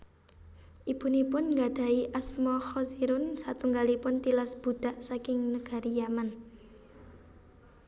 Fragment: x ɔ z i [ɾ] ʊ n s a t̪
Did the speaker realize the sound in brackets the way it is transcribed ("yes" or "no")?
yes